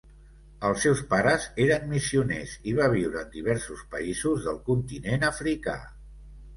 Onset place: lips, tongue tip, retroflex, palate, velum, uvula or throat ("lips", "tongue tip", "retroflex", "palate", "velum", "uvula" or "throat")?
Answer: tongue tip